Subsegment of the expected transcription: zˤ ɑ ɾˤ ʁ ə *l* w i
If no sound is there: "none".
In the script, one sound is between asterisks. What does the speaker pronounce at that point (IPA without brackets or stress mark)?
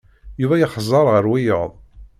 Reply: ɾ